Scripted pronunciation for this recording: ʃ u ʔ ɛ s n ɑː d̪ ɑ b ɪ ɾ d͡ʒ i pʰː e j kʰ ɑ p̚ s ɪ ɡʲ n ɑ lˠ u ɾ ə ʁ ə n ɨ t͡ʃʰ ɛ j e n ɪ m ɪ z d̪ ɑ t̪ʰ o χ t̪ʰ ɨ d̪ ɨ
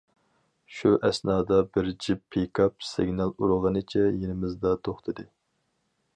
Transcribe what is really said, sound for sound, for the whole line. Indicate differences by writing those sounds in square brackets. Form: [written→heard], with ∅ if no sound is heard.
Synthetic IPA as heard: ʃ u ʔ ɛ s n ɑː d̪ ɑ b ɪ ɾ d͡ʒ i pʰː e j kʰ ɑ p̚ s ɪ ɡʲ n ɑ lˠ u ɾ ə ʁ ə n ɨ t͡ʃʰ ɛ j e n ɪ m ɪ z d̪ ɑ t̪ʰ o χ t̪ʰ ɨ d̪ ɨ

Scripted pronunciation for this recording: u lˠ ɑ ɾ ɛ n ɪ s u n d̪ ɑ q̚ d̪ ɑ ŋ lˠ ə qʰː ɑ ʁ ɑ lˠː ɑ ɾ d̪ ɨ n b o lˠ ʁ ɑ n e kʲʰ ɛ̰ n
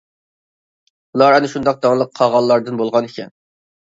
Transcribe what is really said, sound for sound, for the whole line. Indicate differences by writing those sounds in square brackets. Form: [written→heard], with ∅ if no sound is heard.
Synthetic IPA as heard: u lˠ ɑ ɾ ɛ n ɪ [s→ʃ] u n d̪ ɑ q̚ d̪ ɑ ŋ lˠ ə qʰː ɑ ʁ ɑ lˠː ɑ ɾ d̪ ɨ n b o lˠ ʁ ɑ n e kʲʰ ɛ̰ n

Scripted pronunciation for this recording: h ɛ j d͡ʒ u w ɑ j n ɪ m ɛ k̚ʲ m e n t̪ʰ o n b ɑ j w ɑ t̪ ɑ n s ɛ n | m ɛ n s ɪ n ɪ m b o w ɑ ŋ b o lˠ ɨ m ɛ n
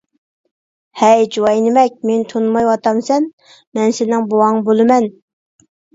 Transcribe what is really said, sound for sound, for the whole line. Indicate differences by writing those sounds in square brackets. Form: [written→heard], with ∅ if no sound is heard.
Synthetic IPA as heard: h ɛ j d͡ʒ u w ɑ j n ɪ m ɛ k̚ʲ m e n t̪ʰ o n [b→m] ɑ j w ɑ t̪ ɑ [n→m] s ɛ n | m ɛ n s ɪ n ɪ [m→ŋ] b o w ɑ ŋ b o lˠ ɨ m ɛ n

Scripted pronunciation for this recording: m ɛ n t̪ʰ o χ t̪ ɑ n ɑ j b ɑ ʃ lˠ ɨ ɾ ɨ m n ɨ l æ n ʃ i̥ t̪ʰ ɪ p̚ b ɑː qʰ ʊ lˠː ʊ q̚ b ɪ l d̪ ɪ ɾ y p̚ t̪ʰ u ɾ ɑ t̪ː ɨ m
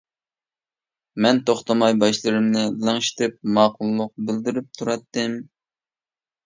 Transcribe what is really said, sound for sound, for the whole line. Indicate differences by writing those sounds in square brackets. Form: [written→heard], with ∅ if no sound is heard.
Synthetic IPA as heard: m ɛ n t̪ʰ o χ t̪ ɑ [n→m] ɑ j b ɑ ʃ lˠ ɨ ɾ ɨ m n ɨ l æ [n→ŋ] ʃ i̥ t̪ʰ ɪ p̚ [b→m] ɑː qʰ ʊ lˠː ʊ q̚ b ɪ l d̪ ɪ ɾ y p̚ t̪ʰ u ɾ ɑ t̪ː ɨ m

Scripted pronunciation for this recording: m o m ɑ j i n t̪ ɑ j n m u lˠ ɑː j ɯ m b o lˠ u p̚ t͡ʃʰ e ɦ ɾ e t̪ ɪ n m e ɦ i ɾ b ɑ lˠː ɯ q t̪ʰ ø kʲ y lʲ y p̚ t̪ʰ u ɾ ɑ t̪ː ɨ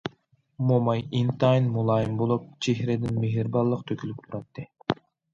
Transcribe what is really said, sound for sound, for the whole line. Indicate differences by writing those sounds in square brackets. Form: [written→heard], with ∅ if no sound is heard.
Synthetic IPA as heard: m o m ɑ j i n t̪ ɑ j n m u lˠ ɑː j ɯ m b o lˠ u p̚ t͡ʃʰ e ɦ ɾ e [t̪→d̪] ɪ n m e ɦ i ɾ b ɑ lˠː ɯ q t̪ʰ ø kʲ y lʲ y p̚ t̪ʰ u ɾ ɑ t̪ː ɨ

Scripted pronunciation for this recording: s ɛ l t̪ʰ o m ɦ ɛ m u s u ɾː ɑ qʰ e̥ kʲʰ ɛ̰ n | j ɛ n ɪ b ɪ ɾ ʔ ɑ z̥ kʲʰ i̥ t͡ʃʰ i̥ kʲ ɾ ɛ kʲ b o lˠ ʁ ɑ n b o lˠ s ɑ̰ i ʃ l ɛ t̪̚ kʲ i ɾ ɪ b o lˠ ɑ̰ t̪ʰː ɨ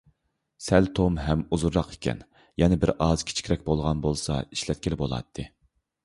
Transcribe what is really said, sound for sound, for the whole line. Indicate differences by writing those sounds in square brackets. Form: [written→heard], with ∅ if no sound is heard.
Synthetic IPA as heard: s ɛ l t̪ʰ o m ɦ ɛ m u [s→z] u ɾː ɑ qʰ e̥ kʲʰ ɛ̰ n | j ɛ n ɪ b ɪ ɾ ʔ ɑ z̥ kʲʰ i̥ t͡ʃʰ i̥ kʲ ɾ ɛ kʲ b o lˠ ʁ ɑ n b o lˠ s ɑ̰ i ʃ l ɛ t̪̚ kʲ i [ɾ→l] ɪ b o lˠ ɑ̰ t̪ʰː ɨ

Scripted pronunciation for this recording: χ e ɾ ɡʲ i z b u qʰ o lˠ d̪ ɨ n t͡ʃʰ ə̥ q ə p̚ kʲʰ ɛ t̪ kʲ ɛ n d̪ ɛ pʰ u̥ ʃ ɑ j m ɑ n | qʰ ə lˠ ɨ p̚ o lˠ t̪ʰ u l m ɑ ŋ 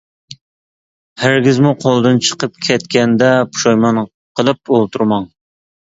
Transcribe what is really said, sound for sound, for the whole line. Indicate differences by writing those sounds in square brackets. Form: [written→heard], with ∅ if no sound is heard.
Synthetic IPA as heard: [χ→h] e ɾ ɡʲ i z [b→m] u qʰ o lˠ d̪ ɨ n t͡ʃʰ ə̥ q ə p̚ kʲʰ ɛ t̪ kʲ ɛ n d̪ ɛ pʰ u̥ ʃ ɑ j m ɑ n | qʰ ə lˠ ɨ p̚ o lˠ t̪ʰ u [l→ɾ] m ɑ ŋ

